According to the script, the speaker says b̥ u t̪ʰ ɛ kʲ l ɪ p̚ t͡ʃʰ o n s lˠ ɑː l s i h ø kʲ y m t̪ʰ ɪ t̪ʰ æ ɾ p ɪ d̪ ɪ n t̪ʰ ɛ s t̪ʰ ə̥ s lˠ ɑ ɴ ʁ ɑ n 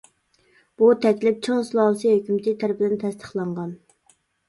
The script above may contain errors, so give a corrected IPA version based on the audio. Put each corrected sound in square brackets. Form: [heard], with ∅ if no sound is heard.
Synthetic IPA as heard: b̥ u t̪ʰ ɛ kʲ l ɪ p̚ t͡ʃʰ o [ŋ] s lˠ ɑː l s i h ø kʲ y m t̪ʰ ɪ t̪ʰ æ ɾ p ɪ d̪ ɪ n t̪ʰ ɛ s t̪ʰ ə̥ [χ] lˠ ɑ ɴ ʁ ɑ n